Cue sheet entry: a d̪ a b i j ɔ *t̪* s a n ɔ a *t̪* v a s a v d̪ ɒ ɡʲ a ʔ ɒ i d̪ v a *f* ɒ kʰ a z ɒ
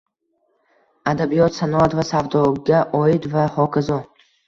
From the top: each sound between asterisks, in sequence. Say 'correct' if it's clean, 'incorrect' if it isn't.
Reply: correct, correct, incorrect: h

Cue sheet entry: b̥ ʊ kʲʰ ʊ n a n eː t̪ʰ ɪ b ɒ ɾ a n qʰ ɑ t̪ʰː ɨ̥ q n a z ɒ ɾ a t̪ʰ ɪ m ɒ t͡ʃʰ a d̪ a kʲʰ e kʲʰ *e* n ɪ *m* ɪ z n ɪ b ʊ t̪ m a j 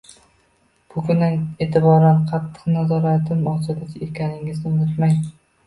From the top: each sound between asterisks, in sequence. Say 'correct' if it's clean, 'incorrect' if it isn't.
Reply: incorrect: a, incorrect: ŋ

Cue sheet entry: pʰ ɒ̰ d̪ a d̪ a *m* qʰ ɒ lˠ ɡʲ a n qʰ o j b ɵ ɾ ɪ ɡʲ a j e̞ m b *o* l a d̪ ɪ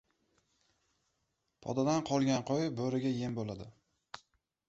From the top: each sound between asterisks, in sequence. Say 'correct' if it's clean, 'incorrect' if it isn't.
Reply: incorrect: n, correct

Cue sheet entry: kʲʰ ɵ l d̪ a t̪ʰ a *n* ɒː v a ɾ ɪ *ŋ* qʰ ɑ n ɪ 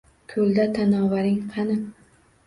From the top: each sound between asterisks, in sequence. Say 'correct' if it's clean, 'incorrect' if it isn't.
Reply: correct, correct

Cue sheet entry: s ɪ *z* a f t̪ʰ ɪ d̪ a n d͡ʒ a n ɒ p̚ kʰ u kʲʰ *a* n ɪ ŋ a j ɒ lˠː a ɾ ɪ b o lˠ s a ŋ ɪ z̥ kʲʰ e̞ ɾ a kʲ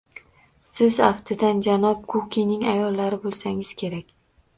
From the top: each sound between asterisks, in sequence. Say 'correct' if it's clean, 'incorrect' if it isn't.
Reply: correct, incorrect: i

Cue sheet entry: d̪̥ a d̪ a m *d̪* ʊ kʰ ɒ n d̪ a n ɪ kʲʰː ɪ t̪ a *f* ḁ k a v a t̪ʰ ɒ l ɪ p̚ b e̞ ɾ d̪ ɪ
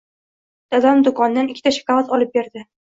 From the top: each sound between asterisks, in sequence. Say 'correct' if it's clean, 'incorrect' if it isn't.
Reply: correct, incorrect: ʃ

